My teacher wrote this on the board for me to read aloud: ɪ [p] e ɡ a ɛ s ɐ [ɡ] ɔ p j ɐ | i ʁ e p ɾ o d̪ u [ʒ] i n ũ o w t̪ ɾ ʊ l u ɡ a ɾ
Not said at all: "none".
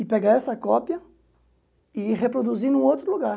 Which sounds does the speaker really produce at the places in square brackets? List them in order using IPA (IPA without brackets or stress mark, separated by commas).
p, k, z